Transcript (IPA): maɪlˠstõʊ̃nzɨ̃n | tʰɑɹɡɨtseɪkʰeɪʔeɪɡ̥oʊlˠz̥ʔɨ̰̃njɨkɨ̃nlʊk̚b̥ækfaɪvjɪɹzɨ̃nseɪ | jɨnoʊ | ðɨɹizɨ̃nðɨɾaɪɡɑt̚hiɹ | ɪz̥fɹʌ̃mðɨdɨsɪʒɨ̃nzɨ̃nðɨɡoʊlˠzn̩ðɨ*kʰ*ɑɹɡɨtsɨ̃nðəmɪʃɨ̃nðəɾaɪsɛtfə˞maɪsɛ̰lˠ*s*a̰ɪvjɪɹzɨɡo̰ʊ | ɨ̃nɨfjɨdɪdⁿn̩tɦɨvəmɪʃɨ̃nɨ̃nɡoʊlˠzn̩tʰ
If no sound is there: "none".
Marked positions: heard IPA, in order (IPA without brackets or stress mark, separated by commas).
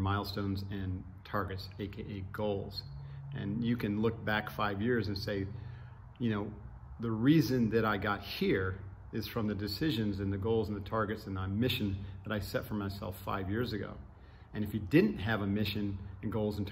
tʰ, f